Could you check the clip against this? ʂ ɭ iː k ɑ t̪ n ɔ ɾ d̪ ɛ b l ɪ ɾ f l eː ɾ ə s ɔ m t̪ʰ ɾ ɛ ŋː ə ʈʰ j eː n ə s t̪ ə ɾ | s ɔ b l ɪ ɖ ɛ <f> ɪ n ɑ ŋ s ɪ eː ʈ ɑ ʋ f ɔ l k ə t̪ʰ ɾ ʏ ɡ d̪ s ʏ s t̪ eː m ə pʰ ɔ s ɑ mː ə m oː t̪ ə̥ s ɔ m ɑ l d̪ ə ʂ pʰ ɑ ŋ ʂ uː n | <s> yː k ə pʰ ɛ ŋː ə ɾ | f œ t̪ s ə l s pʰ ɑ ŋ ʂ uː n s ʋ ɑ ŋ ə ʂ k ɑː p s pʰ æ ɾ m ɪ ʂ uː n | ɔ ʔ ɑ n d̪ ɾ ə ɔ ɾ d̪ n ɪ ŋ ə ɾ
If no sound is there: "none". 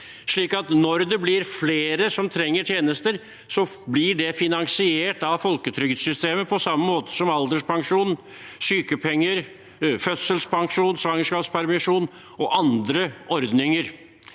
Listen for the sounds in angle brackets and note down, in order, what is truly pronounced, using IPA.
f, s

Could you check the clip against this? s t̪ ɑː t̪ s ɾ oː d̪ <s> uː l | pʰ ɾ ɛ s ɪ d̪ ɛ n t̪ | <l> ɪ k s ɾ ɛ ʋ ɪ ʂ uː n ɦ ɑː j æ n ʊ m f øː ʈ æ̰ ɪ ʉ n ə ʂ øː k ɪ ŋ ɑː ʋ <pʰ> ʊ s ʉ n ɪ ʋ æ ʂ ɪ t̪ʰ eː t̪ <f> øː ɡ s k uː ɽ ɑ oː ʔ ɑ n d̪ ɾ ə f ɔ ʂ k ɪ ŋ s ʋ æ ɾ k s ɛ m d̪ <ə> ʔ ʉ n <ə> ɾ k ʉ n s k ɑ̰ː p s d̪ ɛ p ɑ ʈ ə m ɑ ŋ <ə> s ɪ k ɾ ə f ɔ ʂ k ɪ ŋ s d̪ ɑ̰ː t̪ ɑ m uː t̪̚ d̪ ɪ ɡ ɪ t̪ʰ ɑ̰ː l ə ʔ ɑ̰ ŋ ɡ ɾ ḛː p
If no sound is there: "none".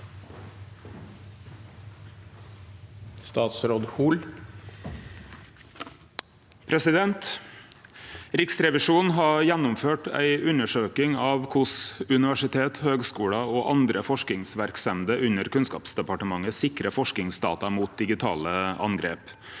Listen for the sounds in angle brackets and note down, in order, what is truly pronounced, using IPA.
h, ɾ, kʰ, h, ə, ə, ə

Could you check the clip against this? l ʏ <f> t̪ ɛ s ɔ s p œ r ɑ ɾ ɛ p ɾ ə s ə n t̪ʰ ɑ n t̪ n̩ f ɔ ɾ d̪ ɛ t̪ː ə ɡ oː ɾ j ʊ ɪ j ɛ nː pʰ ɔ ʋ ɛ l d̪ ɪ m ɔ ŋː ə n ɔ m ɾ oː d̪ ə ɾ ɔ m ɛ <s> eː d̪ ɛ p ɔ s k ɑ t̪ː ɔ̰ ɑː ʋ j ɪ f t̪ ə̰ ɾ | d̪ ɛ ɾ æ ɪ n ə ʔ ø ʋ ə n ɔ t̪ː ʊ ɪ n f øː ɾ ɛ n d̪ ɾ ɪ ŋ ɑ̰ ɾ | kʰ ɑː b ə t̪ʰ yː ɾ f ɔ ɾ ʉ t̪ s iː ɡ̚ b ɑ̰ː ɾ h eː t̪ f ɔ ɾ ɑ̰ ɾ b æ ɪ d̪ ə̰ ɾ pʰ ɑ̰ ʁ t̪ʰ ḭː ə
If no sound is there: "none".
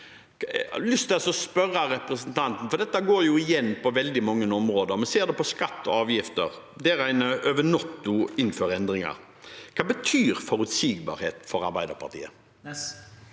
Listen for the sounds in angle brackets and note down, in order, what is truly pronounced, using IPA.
s, s

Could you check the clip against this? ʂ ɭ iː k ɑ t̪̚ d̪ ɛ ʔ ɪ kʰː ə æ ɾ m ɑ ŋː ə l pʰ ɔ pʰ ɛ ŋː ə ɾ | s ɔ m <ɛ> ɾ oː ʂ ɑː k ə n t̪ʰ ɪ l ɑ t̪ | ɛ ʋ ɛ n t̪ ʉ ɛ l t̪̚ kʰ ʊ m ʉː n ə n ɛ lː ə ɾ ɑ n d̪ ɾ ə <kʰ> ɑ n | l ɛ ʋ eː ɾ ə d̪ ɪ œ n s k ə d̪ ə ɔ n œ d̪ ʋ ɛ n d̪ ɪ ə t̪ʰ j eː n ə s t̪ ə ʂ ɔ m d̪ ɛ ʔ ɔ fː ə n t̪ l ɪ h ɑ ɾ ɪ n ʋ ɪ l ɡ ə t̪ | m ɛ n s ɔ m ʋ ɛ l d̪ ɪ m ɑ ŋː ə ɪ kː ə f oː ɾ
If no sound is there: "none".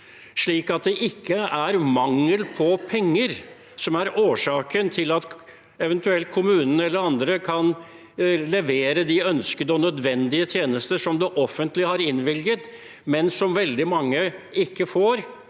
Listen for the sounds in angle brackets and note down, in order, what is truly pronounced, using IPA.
æ, kʰ

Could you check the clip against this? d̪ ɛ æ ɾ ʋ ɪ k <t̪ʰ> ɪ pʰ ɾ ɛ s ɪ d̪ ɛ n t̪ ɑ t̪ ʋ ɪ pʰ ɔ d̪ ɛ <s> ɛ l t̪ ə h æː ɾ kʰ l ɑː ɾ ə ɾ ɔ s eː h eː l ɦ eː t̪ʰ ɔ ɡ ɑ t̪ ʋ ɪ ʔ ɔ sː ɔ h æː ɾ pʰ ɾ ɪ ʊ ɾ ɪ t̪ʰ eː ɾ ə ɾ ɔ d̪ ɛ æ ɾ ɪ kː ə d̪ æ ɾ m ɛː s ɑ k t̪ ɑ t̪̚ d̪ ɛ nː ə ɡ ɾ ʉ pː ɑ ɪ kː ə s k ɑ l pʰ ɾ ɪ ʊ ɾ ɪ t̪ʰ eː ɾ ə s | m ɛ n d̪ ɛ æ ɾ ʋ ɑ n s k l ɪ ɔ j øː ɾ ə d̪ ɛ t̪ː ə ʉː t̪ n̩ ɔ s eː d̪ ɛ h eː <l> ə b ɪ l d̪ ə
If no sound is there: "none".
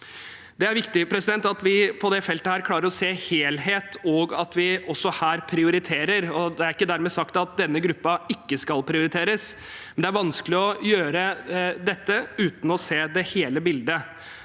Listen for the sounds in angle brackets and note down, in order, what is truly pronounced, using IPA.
t̪, f, l

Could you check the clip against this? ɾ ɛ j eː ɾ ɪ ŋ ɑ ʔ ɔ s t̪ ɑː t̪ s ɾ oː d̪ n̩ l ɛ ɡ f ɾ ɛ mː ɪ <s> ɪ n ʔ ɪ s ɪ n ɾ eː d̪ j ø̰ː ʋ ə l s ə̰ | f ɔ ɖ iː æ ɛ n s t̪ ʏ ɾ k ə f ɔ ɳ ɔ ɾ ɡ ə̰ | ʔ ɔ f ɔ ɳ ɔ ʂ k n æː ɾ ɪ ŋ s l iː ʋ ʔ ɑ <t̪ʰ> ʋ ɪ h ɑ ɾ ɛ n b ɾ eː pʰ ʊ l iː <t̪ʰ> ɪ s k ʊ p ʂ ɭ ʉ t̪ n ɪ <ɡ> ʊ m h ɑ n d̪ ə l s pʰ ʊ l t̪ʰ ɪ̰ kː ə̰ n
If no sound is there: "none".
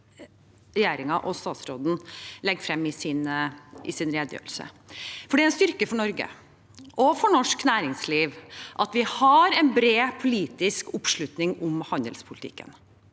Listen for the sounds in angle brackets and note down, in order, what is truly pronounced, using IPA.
s, t̪, t̪, ŋ

